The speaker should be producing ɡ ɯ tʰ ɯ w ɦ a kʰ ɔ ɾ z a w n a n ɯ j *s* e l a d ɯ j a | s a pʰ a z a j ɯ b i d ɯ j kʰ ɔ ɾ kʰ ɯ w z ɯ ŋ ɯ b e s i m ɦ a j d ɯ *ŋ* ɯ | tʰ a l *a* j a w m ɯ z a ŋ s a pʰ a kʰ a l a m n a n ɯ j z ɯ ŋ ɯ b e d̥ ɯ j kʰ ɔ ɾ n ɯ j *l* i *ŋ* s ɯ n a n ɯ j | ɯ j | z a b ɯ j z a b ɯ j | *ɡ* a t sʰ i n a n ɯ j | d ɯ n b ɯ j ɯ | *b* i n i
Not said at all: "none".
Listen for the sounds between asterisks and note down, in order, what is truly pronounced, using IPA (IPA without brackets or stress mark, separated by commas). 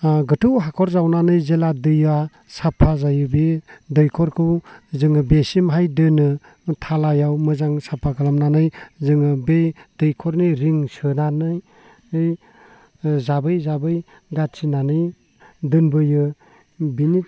z, n, a, ɾ, ŋ, ɡ, b